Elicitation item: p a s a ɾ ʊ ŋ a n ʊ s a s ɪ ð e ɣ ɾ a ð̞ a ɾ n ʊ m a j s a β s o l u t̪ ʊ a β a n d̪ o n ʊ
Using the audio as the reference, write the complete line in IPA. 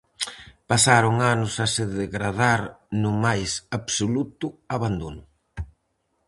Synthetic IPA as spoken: p a s a ɾ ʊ ŋ a n ʊ s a s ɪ ð e ɣ ɾ a ð̞ a ɾ n ʊ m a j s a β s o l u t̪ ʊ a β a n d̪ o n ʊ